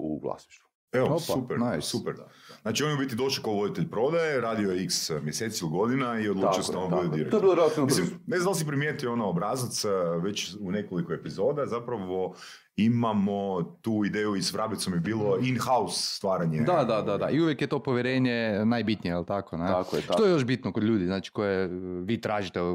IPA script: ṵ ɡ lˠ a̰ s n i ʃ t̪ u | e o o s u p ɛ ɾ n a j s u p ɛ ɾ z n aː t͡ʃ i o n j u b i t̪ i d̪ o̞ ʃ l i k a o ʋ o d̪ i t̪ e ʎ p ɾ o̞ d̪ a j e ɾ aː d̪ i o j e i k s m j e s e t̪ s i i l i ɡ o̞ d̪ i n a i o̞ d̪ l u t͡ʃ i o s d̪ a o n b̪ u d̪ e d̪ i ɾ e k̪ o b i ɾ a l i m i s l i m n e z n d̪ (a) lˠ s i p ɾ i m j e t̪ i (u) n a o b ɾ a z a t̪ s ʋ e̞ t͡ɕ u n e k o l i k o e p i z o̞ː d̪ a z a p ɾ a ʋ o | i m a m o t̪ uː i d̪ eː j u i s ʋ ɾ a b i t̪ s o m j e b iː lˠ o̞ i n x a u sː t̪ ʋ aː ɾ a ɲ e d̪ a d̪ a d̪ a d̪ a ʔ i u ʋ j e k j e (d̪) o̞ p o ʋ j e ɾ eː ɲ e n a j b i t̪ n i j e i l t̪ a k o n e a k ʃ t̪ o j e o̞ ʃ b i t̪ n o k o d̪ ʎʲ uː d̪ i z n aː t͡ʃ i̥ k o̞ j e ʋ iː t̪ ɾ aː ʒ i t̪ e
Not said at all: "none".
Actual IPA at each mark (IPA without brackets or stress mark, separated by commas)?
a, o, t̪